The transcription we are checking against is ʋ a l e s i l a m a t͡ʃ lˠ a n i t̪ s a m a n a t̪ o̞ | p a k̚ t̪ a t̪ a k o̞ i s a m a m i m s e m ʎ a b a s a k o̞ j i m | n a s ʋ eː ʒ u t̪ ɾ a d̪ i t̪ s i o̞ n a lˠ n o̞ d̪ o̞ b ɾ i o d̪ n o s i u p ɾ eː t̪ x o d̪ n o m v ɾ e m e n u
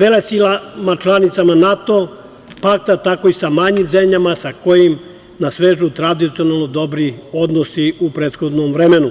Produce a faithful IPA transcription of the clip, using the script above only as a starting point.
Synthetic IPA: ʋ e l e s i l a m a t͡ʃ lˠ a n i t̪ s a m a n a t̪ o̞ | p a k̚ t̪ a t̪ a k o̞ i s a m a ɲ i m z e m ʎ a m a s a k o̞ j i m | n a s ʋ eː ʒ u t̪ ɾ a d̪ i t̪ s i o̞ n a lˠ n o̞ d̪ o̞ b ɾ i o d̪ n o s i u p ɾ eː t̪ x o d̪ n o m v ɾ e m e n u